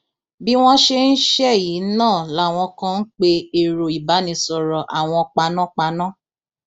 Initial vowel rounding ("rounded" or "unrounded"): unrounded